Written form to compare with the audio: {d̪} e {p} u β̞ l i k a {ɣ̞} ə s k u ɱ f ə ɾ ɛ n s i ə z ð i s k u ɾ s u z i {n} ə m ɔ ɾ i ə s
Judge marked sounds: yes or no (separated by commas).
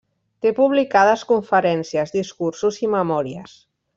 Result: no, yes, no, no